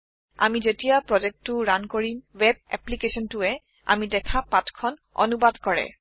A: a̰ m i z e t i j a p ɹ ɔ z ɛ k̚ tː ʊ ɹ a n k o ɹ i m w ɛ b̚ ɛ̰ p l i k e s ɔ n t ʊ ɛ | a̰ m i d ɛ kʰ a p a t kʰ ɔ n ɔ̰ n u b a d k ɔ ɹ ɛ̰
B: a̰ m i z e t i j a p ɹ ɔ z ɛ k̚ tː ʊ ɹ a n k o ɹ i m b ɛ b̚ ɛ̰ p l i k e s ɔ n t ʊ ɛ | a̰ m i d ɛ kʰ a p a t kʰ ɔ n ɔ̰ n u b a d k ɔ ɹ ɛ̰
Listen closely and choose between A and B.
A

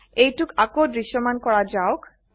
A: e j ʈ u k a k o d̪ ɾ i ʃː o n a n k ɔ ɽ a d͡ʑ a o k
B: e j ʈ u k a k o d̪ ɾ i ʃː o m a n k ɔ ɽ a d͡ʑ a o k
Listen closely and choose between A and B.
B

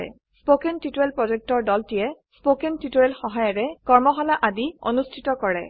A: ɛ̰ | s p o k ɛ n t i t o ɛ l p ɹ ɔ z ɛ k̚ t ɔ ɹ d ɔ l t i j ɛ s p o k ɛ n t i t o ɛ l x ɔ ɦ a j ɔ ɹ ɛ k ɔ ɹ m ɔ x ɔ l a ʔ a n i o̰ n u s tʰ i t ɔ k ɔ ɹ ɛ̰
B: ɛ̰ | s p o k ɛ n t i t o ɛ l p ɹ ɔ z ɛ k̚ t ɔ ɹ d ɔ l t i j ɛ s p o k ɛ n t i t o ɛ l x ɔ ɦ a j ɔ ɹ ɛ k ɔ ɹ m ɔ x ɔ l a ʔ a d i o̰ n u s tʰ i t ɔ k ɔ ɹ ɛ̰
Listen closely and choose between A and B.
B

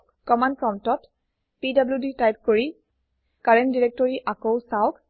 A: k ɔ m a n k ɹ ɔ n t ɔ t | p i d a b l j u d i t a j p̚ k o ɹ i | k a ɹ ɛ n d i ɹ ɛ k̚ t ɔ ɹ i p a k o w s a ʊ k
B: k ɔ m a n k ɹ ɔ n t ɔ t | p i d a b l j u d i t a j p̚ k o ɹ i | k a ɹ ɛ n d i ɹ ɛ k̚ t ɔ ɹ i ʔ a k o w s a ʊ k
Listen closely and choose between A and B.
B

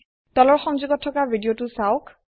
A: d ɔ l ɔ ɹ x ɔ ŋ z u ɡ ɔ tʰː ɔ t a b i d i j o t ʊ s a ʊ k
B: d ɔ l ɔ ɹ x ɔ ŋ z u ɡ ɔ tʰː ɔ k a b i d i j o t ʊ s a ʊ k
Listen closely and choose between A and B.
B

